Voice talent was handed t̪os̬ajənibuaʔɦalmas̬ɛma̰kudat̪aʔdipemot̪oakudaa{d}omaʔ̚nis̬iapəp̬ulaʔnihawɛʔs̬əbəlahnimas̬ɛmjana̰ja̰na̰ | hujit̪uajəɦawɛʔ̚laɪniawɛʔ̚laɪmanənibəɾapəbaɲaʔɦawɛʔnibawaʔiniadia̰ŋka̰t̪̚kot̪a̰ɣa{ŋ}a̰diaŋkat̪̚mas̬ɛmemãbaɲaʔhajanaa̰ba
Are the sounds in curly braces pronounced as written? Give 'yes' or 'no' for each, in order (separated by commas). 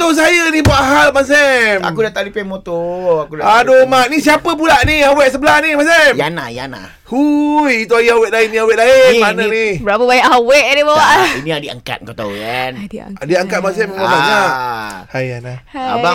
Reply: yes, no